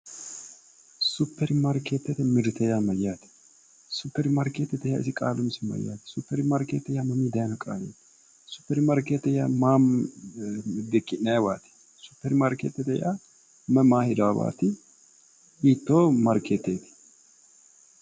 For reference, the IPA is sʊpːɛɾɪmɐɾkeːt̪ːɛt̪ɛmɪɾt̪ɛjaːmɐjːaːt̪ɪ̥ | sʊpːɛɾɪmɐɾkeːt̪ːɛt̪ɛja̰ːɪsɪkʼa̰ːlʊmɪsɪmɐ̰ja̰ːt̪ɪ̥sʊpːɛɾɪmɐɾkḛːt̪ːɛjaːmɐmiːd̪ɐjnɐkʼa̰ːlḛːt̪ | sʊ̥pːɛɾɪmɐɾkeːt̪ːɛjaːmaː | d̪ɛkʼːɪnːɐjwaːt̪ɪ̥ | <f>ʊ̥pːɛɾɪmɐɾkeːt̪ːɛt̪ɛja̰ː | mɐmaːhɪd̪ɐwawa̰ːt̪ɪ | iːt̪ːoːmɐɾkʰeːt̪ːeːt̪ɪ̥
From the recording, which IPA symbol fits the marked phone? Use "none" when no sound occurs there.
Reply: s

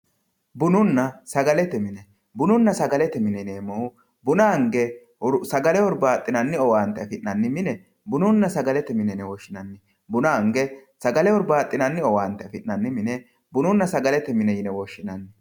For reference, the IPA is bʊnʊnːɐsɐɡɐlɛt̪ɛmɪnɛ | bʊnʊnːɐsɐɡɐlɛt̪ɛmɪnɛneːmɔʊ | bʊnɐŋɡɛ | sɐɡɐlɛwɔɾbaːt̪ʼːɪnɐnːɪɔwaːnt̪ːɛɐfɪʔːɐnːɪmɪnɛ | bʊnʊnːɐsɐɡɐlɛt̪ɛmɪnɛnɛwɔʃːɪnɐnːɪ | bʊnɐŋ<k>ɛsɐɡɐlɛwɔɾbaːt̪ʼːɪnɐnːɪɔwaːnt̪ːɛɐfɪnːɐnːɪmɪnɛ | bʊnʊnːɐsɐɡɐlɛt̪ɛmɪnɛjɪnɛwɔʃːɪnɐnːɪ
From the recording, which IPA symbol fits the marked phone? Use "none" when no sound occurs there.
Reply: ɡ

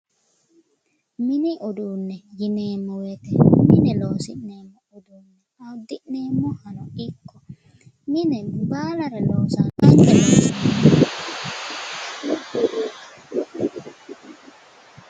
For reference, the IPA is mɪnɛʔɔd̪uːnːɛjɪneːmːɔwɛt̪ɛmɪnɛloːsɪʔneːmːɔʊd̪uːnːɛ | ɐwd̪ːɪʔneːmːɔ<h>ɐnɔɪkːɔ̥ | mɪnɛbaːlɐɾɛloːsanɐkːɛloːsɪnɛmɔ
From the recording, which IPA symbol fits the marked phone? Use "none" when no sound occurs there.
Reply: h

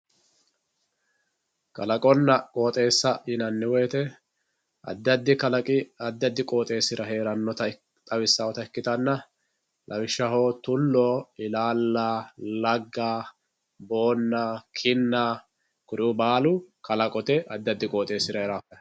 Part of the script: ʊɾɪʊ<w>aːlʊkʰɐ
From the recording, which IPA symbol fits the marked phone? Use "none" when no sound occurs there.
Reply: b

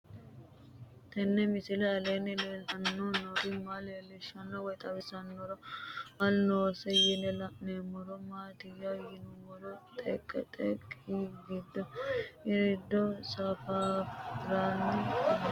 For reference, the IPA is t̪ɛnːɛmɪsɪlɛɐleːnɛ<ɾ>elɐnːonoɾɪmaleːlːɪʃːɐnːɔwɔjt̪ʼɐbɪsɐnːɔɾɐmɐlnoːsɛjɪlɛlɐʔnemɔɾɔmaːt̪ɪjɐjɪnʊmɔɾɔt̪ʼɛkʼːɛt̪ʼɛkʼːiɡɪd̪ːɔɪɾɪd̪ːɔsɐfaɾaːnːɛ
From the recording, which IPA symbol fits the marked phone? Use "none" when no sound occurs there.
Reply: l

